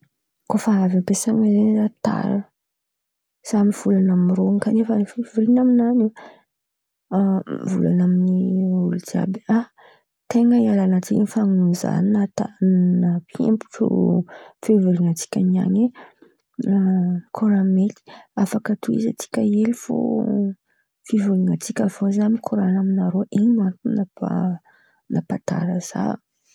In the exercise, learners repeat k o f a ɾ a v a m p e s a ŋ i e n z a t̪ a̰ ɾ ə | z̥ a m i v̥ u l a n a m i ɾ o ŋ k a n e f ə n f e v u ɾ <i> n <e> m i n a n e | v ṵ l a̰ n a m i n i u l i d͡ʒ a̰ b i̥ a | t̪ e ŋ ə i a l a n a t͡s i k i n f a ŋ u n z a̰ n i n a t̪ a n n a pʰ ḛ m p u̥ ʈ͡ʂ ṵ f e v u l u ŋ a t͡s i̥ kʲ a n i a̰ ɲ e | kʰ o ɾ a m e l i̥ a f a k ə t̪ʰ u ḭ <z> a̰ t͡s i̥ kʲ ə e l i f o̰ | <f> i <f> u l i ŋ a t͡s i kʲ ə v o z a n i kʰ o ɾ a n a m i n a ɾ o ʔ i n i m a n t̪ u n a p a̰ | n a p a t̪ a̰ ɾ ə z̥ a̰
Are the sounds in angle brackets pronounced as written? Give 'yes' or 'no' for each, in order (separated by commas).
yes, no, yes, yes, no